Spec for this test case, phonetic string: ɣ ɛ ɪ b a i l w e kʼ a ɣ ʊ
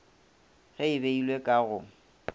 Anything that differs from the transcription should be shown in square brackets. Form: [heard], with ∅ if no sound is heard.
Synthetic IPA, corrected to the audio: ɣ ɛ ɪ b [e] i l w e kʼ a ɣ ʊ

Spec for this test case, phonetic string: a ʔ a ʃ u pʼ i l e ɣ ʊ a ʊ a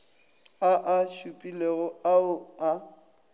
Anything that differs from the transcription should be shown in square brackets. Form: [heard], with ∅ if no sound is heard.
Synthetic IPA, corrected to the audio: a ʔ a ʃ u pʼ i l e ɣ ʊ a ʊ a

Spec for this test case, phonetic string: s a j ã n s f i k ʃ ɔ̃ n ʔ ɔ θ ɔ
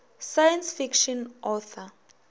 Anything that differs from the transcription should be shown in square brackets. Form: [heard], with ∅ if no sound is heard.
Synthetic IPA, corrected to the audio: s a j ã n s f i k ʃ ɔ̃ n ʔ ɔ θ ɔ

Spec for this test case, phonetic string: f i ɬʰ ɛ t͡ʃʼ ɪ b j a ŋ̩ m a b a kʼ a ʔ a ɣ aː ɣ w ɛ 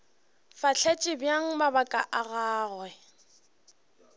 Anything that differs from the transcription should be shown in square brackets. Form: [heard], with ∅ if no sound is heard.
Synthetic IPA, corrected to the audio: f [a] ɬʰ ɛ t͡ʃʼ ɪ b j a ŋ̩ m a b a kʼ a ʔ a ɣ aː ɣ w ɛ

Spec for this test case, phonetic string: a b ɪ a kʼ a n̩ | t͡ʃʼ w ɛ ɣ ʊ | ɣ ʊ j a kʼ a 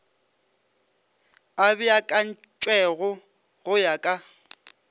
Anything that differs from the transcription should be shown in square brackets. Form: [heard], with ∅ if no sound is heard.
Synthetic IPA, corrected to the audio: a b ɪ a kʼ a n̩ | t͡ʃʼ w ɛ ɣ ʊ | ɣ ʊ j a kʼ a

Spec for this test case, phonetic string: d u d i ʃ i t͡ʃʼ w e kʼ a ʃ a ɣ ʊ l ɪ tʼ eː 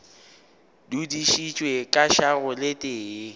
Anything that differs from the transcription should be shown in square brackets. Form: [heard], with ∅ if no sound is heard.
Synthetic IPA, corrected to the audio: d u d i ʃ i t͡ʃʼ w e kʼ a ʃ a ɣ ʊ l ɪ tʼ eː

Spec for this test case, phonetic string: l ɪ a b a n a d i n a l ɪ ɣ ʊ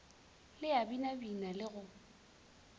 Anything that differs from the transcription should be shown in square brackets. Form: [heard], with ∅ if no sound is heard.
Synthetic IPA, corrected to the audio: l ɪ a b [i] n a [b] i n a l ɪ ɣ ʊ

